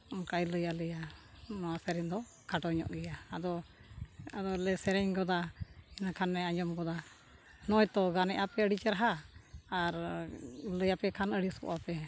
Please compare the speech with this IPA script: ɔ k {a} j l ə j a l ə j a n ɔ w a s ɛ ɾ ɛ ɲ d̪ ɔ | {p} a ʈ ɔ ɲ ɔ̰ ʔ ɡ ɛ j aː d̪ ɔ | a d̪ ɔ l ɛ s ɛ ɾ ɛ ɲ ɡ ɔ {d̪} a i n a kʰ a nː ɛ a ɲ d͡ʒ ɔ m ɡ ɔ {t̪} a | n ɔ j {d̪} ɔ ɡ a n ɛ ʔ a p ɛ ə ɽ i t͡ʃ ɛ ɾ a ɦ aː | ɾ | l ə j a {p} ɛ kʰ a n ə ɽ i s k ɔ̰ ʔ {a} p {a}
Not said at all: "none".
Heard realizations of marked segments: a, k, d̪, d̪, t̪, p, a, ɛ

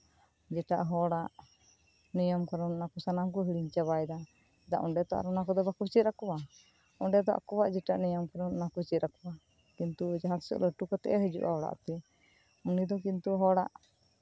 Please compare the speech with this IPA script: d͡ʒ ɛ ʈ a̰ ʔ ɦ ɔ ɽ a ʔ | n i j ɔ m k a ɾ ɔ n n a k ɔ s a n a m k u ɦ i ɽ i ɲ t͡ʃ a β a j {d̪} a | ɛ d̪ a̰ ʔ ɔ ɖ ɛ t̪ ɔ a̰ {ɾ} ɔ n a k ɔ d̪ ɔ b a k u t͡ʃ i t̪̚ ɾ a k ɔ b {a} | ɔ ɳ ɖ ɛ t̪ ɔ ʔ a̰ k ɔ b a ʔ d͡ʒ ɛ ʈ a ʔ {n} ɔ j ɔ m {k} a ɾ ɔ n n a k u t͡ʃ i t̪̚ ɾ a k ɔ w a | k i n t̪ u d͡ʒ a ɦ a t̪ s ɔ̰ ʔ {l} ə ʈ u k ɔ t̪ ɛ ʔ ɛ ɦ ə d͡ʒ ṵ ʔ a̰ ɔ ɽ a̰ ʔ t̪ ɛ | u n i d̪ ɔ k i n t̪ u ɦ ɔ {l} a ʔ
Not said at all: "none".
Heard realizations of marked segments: d̪, ɾ, a, n, k, l, ɽ

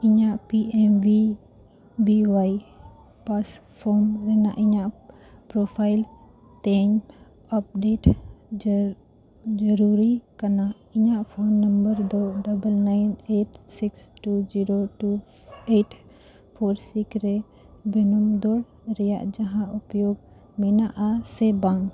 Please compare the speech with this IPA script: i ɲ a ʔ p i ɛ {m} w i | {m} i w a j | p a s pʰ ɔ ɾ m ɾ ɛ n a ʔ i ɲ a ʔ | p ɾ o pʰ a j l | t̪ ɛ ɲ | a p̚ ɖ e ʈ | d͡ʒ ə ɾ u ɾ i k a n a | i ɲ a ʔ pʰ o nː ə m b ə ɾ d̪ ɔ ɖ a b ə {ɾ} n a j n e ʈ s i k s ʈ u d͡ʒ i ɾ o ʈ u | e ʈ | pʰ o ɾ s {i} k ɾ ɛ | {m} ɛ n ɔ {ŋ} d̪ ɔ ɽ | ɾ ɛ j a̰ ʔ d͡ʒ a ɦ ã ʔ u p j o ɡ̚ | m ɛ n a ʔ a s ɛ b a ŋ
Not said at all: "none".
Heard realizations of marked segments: m, b, l, i, b, m

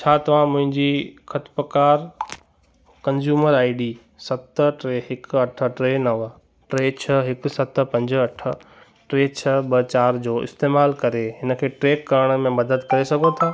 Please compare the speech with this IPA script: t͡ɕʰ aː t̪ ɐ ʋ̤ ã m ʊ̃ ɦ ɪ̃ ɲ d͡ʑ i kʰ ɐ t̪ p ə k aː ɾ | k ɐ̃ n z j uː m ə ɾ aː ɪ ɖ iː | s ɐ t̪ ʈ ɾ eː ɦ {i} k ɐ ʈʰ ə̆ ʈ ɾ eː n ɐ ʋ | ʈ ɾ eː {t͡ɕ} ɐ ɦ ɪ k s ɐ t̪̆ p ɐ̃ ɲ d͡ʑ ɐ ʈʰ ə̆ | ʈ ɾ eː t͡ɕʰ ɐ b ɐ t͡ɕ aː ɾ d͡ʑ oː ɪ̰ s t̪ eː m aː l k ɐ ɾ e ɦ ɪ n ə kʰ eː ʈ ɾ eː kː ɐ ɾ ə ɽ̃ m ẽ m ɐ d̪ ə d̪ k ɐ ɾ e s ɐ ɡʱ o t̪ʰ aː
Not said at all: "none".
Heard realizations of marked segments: ɪ, t͡ɕʰ

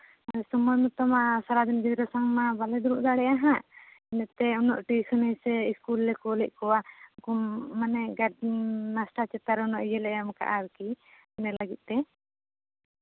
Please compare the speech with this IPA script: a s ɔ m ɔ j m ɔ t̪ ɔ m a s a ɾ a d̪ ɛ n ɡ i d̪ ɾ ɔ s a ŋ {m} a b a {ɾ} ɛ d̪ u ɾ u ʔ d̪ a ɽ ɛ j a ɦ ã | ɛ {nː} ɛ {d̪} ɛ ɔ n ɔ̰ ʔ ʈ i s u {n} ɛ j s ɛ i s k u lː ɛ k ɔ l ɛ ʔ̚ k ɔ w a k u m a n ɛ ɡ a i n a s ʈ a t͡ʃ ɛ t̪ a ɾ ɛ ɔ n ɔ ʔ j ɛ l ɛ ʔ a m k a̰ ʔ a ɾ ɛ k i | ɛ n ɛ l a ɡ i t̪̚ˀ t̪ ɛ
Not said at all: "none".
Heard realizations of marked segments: m, l, n, t̪, n

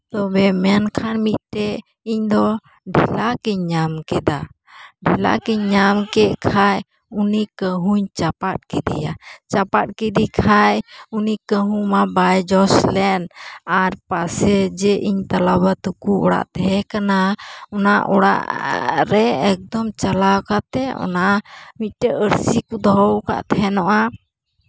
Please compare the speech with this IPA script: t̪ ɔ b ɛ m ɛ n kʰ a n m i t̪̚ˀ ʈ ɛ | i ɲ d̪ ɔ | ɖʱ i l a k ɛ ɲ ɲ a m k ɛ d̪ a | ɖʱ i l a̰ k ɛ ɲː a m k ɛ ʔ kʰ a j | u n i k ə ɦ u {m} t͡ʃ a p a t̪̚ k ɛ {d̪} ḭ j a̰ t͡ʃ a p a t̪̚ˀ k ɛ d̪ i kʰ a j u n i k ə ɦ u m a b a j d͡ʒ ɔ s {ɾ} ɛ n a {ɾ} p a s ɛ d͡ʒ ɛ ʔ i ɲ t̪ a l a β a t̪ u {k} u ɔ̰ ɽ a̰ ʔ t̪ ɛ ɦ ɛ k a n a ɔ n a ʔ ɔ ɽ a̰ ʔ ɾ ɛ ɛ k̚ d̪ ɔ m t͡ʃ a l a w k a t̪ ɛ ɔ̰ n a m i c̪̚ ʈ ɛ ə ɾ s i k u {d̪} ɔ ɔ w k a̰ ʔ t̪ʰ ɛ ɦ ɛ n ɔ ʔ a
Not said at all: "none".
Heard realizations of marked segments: ɲ, d̪, l, ɾ, k, d̪

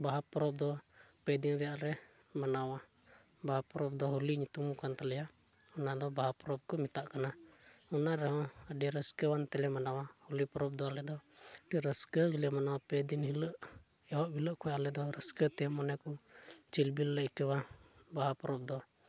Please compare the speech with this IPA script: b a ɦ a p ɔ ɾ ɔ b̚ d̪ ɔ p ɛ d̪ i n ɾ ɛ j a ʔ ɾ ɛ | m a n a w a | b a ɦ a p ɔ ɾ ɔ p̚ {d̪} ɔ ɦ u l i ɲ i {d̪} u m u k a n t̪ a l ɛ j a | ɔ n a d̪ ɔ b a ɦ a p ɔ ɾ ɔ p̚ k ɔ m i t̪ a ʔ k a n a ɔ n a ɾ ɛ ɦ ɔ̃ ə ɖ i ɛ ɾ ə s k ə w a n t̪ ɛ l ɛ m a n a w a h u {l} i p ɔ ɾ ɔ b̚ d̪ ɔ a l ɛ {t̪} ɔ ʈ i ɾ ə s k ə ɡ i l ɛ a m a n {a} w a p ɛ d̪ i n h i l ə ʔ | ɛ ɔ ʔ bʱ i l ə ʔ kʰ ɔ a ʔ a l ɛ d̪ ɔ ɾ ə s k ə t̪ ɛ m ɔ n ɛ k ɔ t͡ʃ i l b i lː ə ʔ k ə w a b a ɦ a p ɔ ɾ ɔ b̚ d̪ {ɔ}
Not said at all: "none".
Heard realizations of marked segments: d̪, t̪, l, d̪, a, ɔ

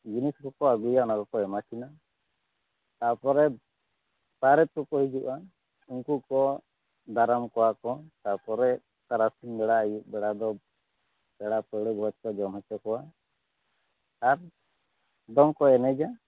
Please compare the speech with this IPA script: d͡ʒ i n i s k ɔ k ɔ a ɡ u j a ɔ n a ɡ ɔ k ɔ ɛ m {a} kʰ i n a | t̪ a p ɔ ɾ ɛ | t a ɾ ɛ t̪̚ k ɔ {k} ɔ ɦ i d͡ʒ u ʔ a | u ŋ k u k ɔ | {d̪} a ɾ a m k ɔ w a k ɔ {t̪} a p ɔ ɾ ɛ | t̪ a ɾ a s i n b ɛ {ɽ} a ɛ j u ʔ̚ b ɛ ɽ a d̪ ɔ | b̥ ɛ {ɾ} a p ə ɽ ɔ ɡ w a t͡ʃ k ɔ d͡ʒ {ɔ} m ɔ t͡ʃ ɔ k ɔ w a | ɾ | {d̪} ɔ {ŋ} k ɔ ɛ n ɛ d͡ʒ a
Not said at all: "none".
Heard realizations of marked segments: a, k, d̪, t̪, ɽ, ɽ, ɔ, d̪, ŋ

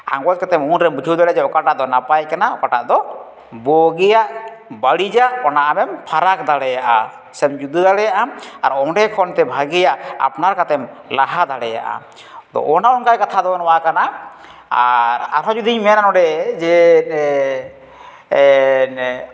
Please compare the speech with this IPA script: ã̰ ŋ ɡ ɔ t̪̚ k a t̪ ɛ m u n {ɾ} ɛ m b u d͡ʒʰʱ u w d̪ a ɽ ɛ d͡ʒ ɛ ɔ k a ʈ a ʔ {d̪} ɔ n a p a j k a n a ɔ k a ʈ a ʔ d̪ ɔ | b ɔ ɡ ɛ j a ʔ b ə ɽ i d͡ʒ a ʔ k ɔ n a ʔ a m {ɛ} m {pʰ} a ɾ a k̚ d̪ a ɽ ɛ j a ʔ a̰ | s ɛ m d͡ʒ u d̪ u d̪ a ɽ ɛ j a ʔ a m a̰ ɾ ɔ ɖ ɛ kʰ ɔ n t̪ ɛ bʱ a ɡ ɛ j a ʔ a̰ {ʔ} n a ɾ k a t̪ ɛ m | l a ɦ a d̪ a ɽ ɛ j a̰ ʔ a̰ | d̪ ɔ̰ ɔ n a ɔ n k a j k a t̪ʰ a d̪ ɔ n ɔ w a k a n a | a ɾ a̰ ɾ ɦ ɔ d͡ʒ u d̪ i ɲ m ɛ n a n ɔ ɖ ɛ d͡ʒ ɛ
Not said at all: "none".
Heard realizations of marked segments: ɾ, d̪, ɛ, pʰ, p

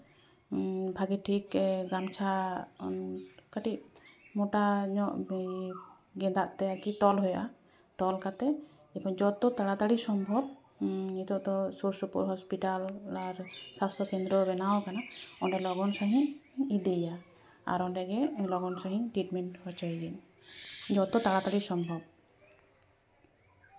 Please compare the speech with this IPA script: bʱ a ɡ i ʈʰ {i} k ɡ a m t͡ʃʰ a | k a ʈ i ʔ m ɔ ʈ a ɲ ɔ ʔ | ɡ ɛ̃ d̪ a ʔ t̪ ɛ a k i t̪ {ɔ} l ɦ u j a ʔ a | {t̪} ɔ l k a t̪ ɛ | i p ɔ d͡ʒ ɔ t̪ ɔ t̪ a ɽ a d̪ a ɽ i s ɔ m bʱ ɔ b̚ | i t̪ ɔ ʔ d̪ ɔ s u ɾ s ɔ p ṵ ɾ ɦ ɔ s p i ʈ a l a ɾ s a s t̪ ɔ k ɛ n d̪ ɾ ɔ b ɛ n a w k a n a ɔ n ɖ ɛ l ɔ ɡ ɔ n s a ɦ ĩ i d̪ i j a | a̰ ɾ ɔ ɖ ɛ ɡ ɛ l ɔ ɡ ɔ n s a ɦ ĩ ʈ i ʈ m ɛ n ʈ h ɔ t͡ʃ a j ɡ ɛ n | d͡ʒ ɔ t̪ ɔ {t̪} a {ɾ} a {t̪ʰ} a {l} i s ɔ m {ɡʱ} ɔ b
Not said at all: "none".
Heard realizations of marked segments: i, ɔ, t̪, t̪, ɽ, t̪, ɽ, bʱ

